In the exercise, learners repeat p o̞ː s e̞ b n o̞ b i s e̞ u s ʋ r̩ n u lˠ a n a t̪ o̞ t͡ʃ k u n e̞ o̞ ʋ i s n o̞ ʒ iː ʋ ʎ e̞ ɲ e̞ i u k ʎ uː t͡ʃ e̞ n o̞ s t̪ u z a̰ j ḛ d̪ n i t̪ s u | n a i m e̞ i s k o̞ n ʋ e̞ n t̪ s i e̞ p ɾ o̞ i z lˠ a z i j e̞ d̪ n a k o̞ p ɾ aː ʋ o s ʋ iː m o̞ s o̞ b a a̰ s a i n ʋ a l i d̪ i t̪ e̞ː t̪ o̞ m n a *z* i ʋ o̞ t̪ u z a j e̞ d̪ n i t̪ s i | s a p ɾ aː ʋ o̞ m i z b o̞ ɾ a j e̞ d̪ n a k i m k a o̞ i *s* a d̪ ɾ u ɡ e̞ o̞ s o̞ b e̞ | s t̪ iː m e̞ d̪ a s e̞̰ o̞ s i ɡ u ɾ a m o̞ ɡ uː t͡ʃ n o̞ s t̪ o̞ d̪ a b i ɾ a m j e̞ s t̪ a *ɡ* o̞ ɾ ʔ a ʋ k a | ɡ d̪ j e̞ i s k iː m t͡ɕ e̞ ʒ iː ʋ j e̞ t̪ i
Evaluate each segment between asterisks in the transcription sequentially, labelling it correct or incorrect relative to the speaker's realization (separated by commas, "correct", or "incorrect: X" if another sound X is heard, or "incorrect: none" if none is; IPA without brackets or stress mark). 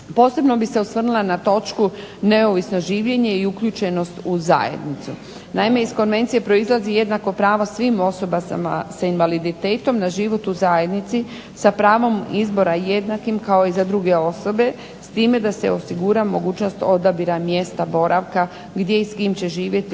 incorrect: ʒ, incorrect: z, incorrect: b